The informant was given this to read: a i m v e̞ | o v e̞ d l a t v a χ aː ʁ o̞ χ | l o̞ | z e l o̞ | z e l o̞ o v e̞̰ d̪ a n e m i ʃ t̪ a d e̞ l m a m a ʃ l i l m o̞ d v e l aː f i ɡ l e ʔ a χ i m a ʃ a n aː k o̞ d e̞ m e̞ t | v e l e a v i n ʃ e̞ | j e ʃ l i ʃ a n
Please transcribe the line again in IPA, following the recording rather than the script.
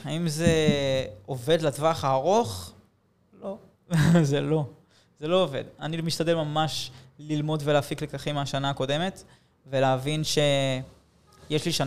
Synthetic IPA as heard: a i m z e̞ | o v e̞ d l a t v a χ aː ʁ o̞ χ | l o̞ | z e l o̞ | z e l o̞ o v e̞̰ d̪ a n i m i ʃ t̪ a d e̞ l m a m a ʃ l i l m o̞ d v e l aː f i k l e k a χ i m a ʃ a n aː k o̞ d e̞ m e̞ t | v e l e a v i n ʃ e̞ | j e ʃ l i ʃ a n